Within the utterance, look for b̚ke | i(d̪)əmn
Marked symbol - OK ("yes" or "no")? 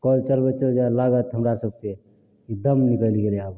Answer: yes